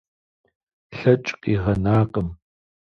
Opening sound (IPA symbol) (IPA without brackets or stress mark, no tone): ɬ